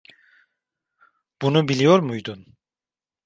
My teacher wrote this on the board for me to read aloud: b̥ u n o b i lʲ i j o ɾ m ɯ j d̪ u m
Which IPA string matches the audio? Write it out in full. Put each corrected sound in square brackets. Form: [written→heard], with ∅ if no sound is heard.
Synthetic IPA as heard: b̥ u n [o→u] b i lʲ i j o ɾ m [ɯ→u] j d̪ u [m→n]